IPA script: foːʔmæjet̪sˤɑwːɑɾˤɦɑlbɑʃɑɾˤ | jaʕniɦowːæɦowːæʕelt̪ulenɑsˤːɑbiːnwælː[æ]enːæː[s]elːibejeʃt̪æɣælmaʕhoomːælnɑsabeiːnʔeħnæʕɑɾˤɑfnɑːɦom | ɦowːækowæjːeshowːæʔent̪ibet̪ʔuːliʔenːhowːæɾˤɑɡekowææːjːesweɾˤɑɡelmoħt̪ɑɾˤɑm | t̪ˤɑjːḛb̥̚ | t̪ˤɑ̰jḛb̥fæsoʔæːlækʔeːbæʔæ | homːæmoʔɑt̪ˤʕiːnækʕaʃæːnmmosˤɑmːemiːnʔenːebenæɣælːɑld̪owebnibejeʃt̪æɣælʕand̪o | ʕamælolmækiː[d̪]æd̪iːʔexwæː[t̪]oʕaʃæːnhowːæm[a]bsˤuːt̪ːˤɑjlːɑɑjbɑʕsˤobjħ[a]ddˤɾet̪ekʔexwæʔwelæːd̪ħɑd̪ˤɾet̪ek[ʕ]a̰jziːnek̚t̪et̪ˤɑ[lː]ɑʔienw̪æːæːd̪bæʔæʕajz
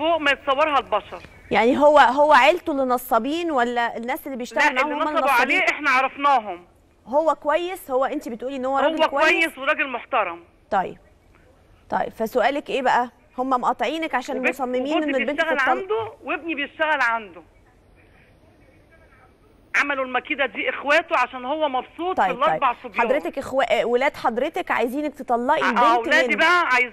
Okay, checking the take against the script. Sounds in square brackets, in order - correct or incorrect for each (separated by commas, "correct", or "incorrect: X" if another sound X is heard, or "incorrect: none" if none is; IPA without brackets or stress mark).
correct, correct, correct, correct, incorrect: ɑ, incorrect: ɑ, correct, correct